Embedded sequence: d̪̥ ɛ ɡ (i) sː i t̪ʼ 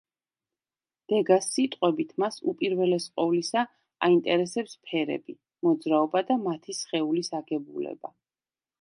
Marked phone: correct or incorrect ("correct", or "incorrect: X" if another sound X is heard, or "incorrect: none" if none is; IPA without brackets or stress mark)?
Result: incorrect: a